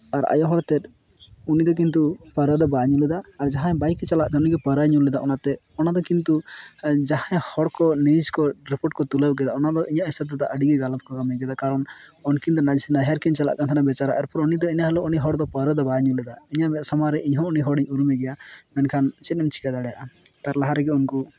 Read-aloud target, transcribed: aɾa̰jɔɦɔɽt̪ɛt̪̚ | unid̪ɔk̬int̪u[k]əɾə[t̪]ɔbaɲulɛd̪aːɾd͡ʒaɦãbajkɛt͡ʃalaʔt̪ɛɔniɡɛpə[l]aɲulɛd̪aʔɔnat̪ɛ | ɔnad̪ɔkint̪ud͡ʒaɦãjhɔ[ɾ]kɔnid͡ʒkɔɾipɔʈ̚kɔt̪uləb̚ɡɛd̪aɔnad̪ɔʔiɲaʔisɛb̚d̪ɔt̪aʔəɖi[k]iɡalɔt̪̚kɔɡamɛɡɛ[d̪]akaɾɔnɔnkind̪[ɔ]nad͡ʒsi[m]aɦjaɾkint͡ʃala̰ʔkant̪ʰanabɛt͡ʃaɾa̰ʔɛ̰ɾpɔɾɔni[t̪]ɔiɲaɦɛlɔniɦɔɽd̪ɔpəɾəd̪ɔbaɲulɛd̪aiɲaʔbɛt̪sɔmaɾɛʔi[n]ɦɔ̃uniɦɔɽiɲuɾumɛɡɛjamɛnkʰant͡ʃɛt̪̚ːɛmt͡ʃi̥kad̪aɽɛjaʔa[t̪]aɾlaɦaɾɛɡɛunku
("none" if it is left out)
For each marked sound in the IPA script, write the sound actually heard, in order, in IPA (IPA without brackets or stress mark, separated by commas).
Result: p, d̪, ɾ, ɽ, ɡ, d̪, ɔ, n, d̪, ɲ, t̪